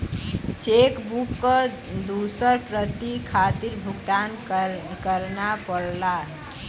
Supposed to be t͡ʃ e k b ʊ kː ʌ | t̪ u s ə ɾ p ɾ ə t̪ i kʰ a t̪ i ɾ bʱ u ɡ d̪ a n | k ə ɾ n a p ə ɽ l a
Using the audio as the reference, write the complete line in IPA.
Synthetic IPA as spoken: t͡ʃ e k b u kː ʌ | d̪ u s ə ɾ p ɾ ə t̪ i kʰ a t̪ i ɾ bʱ u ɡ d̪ a n | k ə ɾ n a p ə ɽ l a